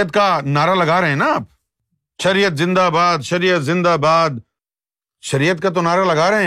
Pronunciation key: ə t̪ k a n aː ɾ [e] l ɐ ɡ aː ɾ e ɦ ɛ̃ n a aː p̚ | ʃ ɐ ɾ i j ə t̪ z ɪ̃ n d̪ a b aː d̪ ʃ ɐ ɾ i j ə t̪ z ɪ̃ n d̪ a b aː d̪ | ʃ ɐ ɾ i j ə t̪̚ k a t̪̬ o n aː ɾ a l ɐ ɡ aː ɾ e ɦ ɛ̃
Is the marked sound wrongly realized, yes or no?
yes